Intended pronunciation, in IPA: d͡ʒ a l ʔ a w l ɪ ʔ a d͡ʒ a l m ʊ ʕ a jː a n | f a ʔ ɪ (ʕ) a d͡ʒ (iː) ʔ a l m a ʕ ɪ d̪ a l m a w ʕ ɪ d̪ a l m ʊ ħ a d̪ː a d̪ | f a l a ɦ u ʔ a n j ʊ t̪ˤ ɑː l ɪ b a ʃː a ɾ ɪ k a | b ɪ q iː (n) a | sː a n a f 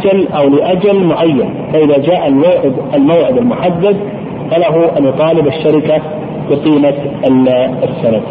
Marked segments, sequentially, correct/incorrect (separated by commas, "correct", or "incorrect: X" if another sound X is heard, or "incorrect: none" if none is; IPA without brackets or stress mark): incorrect: ð, incorrect: aː, incorrect: m